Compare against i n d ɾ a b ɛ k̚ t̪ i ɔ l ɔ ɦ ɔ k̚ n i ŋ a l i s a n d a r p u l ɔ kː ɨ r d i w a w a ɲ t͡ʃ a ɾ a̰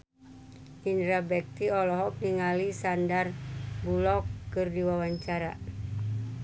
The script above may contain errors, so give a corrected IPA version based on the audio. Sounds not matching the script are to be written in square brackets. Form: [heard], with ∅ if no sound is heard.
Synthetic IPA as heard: i n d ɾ a b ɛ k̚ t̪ i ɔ l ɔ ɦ ɔ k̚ n i ŋ a l i s a n d a r [b] u l ɔ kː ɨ r d i w a w a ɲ t͡ʃ a ɾ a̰